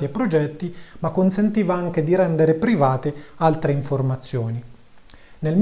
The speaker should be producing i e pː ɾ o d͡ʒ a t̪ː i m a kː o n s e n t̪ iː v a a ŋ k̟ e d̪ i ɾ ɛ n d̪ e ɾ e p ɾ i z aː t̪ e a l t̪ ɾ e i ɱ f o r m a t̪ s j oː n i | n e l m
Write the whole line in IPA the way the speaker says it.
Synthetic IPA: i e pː ɾ o d͡ʒ ɛ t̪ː i m a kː o n s e n t̪ iː v a a ŋ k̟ e d̪ i ɾ ɛ n d̪ e ɾ e p ɾ i v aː t̪ e a l t̪ ɾ e i ɱ f o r m a t̪ sː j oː n i | n e l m